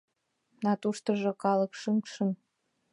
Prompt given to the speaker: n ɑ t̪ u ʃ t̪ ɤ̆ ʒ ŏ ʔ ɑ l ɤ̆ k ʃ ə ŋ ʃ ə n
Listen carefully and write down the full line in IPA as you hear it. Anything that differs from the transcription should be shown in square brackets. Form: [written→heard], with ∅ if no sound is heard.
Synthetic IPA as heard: n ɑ t̪ u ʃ t̪ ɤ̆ ʒ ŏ [ʔ→k] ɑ l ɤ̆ k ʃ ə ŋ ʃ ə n